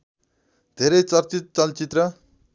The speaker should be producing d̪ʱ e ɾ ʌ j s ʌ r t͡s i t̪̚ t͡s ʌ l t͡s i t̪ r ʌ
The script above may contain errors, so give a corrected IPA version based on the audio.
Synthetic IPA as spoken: d̪ʱ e ɾ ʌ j t͡s ʌ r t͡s i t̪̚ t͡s ʌ l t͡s i t̪ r ʌ